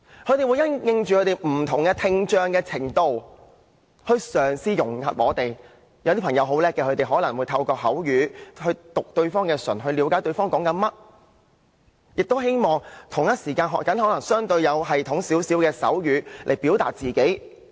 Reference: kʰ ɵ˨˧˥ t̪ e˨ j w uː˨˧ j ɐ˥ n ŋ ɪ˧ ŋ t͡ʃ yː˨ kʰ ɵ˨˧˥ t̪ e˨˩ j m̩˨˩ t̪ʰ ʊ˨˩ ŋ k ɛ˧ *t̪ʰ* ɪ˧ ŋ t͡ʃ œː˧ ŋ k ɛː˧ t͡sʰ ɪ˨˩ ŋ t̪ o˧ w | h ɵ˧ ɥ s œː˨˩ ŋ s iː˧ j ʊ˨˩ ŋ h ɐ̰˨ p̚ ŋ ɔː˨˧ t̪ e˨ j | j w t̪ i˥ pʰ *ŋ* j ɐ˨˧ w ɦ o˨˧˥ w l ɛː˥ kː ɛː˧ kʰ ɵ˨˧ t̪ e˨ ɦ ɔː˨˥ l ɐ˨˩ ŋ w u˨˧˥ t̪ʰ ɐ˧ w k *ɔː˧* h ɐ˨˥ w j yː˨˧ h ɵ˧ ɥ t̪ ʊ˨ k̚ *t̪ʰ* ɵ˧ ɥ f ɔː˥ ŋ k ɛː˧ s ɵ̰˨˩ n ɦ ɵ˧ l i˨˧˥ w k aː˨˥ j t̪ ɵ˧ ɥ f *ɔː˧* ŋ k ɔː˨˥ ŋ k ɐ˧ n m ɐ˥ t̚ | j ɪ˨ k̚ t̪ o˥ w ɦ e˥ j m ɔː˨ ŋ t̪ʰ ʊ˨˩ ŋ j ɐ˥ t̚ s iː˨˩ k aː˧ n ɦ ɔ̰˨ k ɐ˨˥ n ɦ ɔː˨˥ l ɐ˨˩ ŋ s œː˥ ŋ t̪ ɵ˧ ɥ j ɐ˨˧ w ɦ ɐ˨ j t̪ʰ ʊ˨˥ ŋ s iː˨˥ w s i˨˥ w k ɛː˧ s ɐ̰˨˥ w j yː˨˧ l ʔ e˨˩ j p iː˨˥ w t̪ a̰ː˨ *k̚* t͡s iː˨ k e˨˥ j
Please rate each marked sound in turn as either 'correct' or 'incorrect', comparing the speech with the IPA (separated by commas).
correct, correct, correct, incorrect, incorrect, incorrect